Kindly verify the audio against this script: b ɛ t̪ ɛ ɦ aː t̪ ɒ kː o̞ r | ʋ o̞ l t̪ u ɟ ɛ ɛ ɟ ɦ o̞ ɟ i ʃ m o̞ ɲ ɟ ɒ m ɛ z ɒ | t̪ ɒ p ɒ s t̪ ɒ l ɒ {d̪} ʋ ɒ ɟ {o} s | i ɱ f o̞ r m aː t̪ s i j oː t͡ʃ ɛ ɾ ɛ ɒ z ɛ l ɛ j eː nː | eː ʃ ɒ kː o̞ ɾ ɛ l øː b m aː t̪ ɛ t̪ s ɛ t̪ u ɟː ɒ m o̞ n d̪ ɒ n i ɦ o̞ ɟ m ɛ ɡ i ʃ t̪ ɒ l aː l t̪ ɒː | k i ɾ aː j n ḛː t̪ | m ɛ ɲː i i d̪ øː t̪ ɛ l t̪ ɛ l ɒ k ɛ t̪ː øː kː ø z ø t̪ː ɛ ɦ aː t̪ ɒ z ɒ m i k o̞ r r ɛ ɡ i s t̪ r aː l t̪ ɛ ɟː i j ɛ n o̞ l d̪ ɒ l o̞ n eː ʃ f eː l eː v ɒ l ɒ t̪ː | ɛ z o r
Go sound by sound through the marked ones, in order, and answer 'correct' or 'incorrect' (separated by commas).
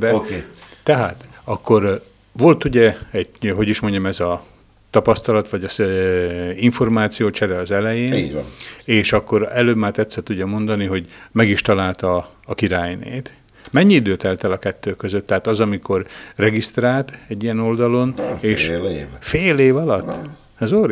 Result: incorrect, incorrect